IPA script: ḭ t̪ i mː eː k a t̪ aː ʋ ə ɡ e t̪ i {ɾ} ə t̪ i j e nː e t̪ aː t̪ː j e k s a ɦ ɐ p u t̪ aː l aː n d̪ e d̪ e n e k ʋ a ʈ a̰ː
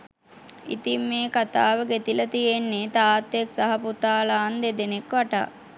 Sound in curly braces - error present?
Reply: yes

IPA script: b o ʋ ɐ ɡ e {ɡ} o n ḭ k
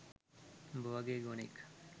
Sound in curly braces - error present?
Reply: no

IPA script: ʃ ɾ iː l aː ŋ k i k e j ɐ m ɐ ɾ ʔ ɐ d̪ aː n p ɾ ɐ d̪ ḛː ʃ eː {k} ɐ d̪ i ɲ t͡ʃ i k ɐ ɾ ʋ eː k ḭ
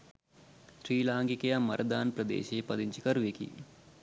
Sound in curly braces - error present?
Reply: yes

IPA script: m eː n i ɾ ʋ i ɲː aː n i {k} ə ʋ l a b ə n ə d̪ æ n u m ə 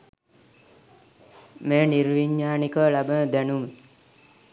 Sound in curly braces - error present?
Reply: no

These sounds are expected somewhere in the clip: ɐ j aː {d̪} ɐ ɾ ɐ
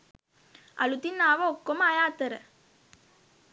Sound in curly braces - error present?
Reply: yes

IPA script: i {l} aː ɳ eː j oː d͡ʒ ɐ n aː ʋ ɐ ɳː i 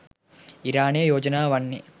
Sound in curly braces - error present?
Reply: yes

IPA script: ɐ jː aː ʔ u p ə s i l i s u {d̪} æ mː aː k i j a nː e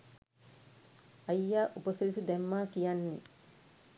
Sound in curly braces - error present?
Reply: no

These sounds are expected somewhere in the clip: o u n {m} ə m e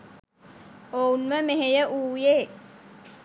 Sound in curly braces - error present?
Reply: no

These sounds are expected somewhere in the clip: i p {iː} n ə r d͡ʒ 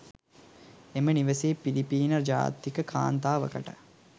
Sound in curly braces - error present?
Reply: no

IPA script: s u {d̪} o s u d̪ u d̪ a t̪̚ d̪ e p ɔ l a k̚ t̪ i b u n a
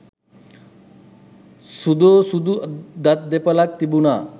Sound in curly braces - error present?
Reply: no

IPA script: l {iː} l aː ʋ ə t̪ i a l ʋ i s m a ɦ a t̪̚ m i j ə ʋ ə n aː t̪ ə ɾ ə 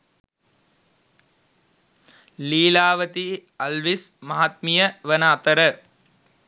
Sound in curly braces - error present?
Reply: no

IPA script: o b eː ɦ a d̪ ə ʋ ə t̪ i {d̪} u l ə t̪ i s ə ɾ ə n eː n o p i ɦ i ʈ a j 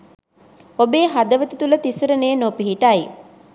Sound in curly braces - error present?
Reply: yes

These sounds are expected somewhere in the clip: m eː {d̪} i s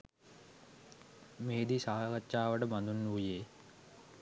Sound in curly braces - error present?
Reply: no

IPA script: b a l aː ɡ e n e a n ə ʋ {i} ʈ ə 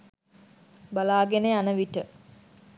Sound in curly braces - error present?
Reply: no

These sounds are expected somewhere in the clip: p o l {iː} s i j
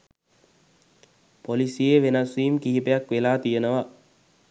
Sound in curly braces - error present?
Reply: yes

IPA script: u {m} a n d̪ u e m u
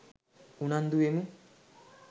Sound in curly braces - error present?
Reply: yes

